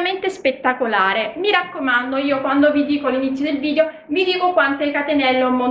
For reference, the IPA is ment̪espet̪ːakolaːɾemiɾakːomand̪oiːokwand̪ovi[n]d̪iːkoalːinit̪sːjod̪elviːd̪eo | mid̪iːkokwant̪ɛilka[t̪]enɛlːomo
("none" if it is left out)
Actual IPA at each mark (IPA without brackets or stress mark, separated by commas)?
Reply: none, t̪